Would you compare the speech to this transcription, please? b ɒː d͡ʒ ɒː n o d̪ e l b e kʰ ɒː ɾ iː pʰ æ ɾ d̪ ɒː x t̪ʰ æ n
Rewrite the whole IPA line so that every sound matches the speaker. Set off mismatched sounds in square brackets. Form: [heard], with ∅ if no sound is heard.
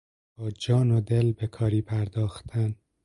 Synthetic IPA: b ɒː d͡ʒ ɒː n o d̪ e l b e kʰ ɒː ɾ iː pʰ æ ɾ d̪ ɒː x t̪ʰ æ n